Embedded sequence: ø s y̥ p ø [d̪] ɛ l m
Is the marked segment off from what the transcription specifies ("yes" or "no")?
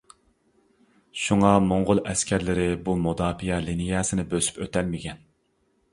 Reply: yes